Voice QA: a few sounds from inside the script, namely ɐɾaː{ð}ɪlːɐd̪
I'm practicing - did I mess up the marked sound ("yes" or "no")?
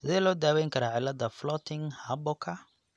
yes